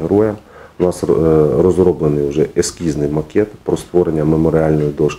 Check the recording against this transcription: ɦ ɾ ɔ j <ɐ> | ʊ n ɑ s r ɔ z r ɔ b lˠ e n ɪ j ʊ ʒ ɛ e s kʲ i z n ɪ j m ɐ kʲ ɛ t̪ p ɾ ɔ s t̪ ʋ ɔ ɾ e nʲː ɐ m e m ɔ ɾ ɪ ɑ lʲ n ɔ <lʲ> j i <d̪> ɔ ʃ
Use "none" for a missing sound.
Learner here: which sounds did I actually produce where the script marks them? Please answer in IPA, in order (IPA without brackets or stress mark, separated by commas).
ɐ, none, d̪